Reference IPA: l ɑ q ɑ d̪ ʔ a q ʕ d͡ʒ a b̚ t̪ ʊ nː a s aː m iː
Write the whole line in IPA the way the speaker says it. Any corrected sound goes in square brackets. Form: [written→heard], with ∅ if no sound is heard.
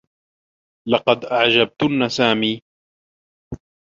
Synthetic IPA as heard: l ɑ q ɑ d̪ ʔ a [q→∅] ʕ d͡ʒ a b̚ t̪ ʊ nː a s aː m iː